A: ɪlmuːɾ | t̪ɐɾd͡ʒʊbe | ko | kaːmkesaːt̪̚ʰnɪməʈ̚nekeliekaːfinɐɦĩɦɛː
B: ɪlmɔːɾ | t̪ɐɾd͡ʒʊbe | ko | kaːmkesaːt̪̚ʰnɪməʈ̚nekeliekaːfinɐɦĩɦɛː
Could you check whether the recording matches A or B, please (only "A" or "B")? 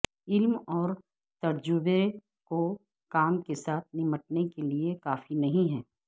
B